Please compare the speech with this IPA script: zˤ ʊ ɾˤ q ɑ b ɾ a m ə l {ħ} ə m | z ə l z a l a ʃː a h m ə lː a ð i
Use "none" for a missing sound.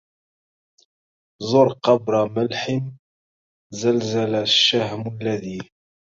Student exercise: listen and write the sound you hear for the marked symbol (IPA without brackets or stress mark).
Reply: ħ